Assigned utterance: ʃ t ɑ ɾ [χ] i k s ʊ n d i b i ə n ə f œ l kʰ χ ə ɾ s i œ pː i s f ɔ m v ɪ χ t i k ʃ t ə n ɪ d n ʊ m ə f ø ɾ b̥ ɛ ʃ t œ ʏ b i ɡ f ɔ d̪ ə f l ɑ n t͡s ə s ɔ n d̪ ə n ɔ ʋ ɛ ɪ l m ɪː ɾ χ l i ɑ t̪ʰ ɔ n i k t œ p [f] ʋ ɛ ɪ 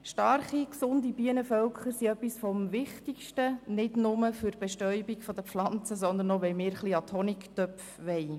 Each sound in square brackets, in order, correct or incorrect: correct, correct

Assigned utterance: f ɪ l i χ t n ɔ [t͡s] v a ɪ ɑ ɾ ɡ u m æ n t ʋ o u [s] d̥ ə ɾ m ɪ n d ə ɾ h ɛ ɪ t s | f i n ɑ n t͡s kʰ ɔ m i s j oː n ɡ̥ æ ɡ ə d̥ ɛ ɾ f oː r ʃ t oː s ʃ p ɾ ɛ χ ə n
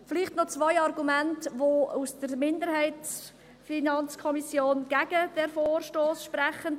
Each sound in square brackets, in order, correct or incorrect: correct, correct

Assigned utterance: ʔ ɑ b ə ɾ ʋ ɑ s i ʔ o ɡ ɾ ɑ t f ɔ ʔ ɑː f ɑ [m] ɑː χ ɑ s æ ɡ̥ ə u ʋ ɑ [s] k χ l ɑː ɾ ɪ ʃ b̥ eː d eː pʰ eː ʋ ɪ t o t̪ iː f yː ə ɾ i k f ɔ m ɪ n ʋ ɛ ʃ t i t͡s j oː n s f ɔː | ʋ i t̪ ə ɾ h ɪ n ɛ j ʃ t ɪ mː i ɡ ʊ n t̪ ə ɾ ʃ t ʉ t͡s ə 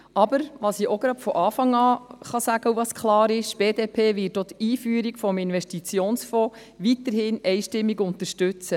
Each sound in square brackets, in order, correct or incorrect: incorrect, correct

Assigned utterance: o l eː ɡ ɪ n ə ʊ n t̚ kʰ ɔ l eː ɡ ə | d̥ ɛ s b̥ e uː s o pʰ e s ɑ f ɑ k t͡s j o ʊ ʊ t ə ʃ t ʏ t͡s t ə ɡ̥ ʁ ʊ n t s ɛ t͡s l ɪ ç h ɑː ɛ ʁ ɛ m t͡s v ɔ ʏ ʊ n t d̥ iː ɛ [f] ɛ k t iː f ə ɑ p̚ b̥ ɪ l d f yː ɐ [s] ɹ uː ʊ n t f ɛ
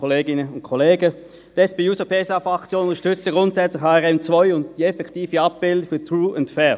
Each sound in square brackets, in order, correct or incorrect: correct, incorrect

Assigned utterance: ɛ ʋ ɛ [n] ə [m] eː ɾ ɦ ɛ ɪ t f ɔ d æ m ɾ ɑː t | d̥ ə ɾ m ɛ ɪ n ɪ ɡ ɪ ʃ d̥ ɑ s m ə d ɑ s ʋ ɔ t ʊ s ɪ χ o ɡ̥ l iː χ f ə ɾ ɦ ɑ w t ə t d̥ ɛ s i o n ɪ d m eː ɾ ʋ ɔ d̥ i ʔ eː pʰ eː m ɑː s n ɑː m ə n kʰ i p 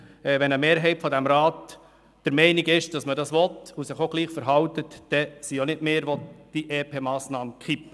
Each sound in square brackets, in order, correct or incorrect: correct, correct

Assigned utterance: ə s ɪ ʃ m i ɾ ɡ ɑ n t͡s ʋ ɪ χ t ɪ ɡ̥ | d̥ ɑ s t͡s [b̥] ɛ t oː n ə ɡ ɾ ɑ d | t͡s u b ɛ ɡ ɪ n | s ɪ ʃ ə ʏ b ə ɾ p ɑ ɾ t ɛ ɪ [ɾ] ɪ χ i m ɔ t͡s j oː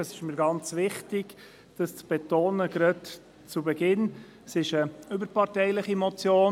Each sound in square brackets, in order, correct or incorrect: correct, incorrect

